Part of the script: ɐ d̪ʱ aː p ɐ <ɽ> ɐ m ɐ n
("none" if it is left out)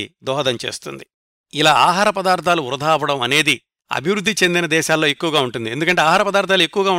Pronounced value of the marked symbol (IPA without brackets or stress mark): ɽ